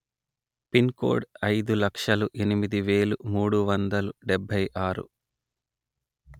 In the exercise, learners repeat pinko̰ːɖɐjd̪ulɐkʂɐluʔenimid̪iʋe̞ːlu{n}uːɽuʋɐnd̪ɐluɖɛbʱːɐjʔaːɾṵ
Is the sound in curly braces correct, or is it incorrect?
incorrect